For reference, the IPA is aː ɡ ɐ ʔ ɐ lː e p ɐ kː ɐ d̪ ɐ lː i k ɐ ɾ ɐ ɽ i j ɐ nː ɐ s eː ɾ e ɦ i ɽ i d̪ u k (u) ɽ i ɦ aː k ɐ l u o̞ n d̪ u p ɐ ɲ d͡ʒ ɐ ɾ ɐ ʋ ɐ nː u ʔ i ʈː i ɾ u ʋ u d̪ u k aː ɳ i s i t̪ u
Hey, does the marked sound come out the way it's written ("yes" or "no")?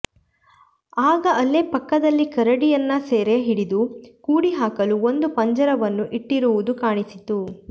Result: no